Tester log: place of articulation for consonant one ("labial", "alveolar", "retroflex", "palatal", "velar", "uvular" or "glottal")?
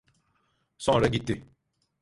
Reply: alveolar